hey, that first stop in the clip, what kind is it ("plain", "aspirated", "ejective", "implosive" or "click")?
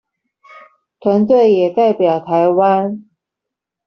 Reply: aspirated